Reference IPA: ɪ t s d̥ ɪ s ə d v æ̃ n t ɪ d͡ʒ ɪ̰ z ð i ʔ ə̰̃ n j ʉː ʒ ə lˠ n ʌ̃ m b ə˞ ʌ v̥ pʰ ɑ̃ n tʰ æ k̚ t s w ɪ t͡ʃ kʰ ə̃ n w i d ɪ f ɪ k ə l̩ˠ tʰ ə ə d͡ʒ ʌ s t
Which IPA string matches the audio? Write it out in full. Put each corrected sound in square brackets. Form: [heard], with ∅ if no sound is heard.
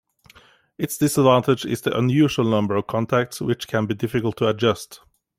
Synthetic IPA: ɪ t s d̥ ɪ s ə d v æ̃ n t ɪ d͡ʒ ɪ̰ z ð i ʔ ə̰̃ n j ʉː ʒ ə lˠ n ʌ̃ m b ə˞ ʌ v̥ [kʰ] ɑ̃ n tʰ æ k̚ t s w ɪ t͡ʃ kʰ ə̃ n [b] i d ɪ f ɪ k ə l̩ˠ tʰ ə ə d͡ʒ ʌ s t